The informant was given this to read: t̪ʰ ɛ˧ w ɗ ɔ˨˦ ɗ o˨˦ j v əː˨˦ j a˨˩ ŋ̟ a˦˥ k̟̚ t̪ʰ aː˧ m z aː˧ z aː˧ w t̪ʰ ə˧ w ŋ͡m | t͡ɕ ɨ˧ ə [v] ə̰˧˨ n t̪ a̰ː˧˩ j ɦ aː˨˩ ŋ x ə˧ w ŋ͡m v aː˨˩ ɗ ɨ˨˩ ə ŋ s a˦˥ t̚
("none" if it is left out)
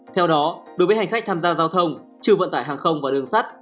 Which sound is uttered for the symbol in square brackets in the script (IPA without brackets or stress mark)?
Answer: v